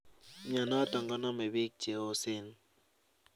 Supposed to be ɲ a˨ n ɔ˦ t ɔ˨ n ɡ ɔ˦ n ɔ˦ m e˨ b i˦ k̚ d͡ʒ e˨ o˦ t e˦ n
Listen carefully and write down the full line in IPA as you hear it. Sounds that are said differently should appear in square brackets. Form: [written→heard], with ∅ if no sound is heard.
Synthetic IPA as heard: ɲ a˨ n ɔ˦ t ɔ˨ [n→ŋ] ɡ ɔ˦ n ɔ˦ m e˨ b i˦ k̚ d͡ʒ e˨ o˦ [t→s] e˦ n